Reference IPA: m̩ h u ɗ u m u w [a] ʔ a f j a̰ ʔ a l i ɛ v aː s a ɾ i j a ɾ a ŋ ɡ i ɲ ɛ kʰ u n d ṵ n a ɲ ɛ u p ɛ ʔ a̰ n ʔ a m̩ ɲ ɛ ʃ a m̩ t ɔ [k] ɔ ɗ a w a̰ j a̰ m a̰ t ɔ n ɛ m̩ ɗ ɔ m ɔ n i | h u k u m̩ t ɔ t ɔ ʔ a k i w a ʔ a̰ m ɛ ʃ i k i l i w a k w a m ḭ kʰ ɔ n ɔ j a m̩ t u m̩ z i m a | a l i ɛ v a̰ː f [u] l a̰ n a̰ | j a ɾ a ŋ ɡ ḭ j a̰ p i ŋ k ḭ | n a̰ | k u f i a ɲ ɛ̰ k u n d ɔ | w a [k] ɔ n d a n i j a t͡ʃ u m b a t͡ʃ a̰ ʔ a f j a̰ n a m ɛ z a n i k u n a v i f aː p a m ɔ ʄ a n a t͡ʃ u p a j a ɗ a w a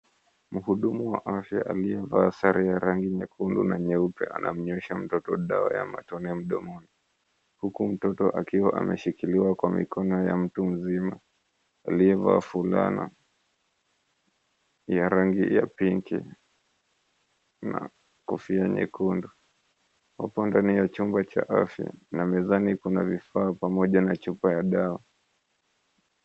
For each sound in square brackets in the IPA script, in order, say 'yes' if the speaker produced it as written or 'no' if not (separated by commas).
yes, no, yes, no